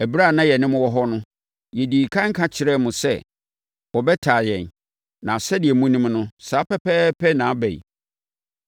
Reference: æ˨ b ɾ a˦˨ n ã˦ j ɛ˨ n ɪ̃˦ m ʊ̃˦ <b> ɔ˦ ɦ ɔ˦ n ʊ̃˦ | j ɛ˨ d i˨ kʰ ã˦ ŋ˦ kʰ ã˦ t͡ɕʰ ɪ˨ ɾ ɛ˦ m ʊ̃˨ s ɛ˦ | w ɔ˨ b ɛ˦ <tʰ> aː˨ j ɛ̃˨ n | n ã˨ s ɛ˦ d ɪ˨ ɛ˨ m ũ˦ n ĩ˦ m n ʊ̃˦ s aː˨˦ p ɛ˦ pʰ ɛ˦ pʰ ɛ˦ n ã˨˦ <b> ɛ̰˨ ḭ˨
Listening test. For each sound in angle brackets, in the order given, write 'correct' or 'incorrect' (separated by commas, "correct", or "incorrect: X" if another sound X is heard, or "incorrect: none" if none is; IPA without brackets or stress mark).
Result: incorrect: w, correct, correct